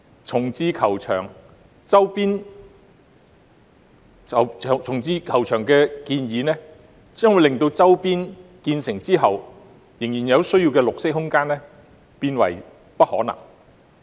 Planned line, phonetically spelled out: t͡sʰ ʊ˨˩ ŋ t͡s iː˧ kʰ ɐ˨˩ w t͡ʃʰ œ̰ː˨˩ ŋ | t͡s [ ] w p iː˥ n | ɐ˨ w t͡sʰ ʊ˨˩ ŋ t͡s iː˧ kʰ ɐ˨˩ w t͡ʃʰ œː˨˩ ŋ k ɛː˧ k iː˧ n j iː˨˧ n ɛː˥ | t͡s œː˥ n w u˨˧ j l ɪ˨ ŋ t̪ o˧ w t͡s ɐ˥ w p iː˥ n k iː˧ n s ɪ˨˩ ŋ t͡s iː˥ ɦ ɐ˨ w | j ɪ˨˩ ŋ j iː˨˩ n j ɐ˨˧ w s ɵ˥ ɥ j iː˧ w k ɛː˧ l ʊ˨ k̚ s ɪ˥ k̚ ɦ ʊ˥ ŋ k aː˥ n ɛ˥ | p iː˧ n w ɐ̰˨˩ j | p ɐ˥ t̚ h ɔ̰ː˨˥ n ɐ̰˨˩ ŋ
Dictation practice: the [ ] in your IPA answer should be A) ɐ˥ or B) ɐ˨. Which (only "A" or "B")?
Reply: A